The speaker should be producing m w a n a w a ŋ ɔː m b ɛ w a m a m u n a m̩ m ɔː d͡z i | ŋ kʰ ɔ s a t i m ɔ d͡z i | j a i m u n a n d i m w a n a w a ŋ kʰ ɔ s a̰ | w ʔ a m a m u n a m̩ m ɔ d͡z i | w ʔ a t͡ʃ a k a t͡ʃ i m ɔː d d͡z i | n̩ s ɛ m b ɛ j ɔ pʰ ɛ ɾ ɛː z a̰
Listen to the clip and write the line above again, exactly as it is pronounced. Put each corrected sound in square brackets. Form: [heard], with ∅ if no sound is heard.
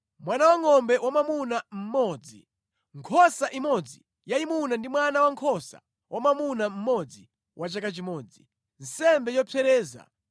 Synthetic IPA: m w a n a w a ŋ [ɔ] m b ɛ w a m a m u n a m̩ m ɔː d͡z i | ŋ kʰ ɔ s a [ʔ] i m ɔ d͡z i | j a i m u n a n d i m w a n a w a ŋ kʰ ɔ s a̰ | w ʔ a m a m u n a m̩ m ɔ d͡z i | w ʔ a t͡ʃ a k a t͡ʃ i m ɔː [∅] d͡z i | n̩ s ɛ m b ɛ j ɔ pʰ ɛ ɾ ɛː z a̰